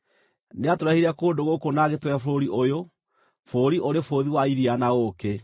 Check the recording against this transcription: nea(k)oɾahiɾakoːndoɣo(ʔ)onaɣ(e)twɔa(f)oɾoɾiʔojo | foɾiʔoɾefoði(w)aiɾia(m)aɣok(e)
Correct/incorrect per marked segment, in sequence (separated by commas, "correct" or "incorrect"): incorrect, incorrect, correct, correct, correct, incorrect, correct